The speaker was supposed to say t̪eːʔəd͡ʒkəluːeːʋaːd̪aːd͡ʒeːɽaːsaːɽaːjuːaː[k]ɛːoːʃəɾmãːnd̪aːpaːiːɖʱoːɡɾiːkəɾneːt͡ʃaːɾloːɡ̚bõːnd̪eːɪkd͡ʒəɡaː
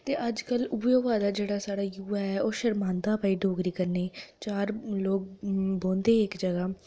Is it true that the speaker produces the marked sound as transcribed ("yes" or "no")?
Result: no